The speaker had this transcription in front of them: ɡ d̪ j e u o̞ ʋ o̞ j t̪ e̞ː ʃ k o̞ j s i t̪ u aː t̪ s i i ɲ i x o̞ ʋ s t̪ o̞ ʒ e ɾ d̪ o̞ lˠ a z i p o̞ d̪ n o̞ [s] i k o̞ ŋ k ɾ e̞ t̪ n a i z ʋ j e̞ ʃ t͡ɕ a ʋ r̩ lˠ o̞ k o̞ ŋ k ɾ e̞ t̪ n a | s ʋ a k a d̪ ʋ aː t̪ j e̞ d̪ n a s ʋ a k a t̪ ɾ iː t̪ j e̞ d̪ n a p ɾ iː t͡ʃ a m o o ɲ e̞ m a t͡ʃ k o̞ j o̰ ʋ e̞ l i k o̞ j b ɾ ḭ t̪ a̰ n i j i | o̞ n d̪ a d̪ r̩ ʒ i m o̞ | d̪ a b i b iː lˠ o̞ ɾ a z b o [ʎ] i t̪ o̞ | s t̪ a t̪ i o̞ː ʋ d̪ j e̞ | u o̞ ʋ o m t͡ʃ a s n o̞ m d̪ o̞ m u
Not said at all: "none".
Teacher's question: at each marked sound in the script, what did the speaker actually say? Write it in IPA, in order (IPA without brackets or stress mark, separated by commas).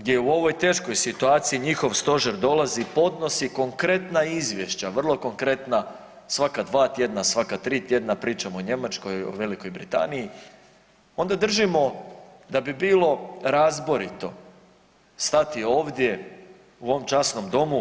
s, ɾ